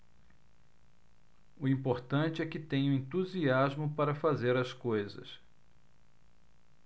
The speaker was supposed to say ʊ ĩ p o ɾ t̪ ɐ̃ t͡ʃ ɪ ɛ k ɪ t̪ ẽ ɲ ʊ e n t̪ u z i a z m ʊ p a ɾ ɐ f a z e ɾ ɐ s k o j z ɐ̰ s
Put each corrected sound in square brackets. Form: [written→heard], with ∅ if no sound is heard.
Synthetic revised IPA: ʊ ĩ p o ɾ t̪ ɐ̃ t͡ʃ ɪ ɛ k ɪ t̪ ẽ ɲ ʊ [e→ẽ] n t̪ u z i a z m ʊ p a ɾ ɐ f a z e ɾ ɐ s k o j z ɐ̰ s